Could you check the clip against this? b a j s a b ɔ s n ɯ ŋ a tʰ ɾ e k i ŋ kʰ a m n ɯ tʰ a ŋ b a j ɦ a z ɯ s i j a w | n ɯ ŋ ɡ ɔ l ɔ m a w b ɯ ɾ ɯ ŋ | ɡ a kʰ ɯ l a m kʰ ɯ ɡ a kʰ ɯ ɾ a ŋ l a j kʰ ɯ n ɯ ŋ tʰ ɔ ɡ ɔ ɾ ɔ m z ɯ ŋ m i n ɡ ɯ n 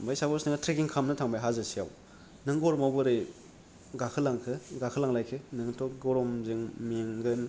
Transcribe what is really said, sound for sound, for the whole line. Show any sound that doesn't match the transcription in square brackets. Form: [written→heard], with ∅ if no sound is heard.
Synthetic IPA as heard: b a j s a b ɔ s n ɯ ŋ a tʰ ɾ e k i ŋ kʰ a m n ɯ tʰ a ŋ b a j ɦ a z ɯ s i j a w | n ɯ ŋ ɡ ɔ [l→ɾ] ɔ m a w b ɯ ɾ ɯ [ŋ→∅] | ɡ a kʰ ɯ l a [m→ŋ] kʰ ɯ ɡ a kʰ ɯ [ɾ→l] a ŋ l a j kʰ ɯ n ɯ ŋ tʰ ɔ ɡ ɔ ɾ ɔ m z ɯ ŋ m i [n→ŋ] ɡ ɯ n